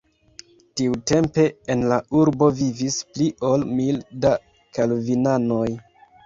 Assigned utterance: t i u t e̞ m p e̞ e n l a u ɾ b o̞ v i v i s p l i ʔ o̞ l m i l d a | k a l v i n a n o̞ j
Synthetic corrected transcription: t i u t e̞ m p e̞ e n l a u ɾ b o̞ v i v i s p l i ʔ o̞ l m i l d a | k a l v i n a n o̞ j